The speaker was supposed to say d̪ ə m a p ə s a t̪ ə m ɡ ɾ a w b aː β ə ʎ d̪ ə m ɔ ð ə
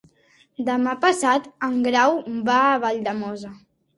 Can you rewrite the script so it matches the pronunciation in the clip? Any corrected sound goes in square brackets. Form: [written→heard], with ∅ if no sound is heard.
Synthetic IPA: d̪ ə m a p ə s a t̪ ə [m→ŋ] ɡ ɾ a w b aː β [ə→a] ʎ d̪ ə m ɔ [ð→z] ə

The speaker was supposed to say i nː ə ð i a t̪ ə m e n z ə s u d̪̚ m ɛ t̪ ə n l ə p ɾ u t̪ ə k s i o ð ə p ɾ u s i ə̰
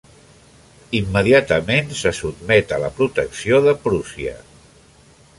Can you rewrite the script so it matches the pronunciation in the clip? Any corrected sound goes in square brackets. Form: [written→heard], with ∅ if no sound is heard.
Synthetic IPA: i [nː→mː] ə ð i a t̪ ə m e n [z→s] ə s u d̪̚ m ɛ t̪ ə [n→∅] l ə p ɾ u t̪ ə k s i o ð ə p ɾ u s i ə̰

